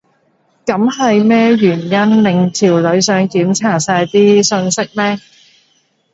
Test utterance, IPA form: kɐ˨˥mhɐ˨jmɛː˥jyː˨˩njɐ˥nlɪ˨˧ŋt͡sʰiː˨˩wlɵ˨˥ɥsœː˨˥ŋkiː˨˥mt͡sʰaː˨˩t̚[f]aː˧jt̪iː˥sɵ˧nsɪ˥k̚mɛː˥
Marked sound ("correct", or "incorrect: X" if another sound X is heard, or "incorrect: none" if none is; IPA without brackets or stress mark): incorrect: s